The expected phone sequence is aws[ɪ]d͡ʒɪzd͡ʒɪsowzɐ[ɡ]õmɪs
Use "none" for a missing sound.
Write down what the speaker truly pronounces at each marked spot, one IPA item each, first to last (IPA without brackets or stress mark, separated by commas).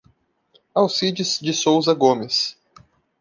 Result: i, ɡ